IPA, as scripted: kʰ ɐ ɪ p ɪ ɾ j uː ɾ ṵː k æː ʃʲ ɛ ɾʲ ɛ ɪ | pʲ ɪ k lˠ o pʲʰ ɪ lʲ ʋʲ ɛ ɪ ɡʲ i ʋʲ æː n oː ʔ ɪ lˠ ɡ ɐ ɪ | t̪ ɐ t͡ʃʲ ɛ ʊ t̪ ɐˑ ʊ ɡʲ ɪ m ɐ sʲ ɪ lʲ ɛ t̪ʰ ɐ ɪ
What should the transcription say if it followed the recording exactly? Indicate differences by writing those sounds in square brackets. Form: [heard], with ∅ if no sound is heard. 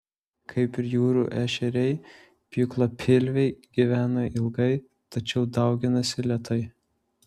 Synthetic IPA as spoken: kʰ ɐ ɪ p ɪ ɾ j uː ɾ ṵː [ʔ] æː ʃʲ ɛ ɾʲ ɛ ɪ | pʲ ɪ k lˠ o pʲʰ ɪ lʲ ʋʲ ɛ ɪ ɡʲ i ʋʲ æː n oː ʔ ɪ lˠ ɡ ɐ ɪ | t̪ ɐ t͡ʃʲ ɛ ʊ [d̪] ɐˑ ʊ ɡʲ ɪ [n] ɐ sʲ ɪ lʲ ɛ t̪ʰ ɐ ɪ